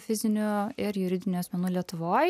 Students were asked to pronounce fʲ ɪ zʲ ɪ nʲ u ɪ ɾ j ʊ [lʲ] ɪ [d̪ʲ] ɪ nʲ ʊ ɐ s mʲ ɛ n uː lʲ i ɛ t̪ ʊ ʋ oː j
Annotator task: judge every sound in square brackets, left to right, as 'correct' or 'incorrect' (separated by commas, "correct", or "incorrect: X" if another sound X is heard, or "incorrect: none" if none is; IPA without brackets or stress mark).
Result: incorrect: ɾʲ, correct